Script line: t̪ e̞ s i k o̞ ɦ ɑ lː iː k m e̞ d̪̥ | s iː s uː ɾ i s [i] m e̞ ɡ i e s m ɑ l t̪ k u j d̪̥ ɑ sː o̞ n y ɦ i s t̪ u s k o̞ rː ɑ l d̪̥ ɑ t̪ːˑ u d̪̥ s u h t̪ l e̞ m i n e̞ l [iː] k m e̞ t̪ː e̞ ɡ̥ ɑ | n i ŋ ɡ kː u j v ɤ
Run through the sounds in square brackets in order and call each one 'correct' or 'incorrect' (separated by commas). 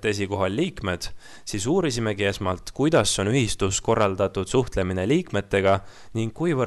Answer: correct, correct